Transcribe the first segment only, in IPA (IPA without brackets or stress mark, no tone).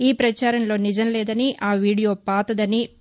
iː